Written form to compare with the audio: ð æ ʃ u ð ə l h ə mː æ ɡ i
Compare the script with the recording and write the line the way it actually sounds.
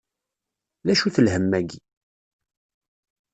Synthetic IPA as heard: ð æ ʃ u θ ə l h ə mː æ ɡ i